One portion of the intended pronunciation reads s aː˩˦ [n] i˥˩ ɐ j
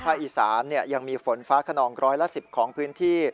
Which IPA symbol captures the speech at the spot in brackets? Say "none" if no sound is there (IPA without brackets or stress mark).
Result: nː